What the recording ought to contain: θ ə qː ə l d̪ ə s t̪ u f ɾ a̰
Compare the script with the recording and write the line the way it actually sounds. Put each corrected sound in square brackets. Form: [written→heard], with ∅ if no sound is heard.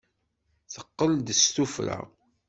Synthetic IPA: θ ə qː ə l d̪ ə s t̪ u f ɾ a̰